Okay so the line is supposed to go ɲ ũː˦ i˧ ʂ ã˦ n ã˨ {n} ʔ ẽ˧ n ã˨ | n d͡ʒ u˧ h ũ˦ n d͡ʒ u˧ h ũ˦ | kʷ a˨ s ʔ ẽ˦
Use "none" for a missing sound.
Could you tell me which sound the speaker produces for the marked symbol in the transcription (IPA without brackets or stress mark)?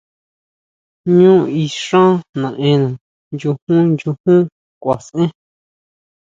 none